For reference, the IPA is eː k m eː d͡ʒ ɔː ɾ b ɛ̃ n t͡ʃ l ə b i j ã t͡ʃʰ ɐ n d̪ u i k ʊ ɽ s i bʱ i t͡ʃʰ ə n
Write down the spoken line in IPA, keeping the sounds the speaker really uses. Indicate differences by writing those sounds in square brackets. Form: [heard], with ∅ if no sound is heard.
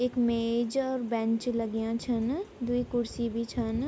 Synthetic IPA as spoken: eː k m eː d͡ʒ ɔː ɾ b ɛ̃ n t͡ʃ l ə [ɡ] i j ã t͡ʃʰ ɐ n d̪ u i k ʊ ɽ s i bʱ i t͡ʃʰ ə n